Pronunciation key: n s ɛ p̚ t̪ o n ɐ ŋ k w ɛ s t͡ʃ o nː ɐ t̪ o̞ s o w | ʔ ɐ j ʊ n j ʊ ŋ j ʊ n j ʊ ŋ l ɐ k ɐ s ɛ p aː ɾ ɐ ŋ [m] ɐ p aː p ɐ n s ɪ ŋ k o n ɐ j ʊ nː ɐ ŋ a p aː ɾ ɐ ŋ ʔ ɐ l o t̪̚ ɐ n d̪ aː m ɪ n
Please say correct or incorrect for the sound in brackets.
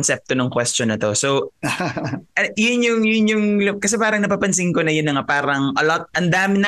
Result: incorrect